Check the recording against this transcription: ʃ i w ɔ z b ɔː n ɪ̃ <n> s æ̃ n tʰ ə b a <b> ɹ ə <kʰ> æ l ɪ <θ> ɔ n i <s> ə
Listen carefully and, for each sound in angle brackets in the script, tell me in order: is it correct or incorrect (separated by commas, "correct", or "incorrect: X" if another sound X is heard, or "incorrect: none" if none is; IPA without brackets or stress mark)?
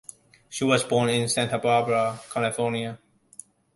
correct, correct, correct, incorrect: f, incorrect: none